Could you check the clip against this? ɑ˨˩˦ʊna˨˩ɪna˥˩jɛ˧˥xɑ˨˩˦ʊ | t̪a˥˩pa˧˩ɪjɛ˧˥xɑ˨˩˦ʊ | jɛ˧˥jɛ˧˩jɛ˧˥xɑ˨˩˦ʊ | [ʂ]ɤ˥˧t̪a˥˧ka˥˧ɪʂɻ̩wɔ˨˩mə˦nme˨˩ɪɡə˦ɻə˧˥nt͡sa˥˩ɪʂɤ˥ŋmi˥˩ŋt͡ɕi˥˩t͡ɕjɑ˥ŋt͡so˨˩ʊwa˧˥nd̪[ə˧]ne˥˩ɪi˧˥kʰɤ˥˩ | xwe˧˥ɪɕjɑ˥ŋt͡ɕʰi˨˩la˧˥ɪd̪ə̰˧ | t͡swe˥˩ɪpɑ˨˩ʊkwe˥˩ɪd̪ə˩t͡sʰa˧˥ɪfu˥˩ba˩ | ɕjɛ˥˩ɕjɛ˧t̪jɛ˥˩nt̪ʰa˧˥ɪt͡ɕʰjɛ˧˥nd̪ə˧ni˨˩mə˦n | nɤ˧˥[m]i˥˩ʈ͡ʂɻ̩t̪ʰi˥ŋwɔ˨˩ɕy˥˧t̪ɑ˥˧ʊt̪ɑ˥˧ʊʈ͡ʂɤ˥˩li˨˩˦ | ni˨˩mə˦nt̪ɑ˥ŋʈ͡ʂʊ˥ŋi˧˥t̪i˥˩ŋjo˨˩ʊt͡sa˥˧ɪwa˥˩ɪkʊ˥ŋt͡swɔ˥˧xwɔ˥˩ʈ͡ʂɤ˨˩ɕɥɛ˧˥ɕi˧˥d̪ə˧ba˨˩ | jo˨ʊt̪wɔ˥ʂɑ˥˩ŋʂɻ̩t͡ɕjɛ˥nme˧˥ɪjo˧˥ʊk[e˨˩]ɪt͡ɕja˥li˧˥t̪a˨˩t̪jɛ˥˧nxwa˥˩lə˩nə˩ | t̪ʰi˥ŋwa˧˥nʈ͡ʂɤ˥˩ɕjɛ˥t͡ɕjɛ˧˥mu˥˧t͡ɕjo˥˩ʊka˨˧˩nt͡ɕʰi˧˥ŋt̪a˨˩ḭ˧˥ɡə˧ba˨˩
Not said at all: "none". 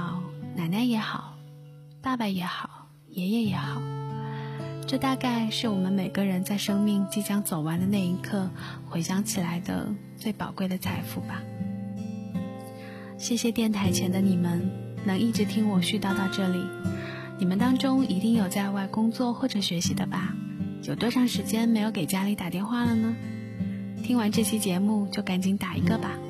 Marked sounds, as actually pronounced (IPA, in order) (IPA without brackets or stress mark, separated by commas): ʈ͡ʂ, ə˧, ŋ, e˨˩